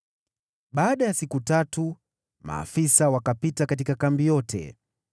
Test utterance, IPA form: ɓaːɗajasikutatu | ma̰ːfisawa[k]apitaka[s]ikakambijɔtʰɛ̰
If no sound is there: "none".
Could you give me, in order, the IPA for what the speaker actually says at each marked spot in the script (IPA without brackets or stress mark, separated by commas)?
k, t